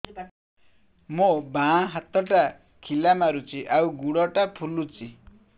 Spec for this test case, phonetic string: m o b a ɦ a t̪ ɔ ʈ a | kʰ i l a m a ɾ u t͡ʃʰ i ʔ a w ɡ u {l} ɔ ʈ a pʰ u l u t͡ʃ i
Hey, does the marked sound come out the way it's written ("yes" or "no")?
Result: no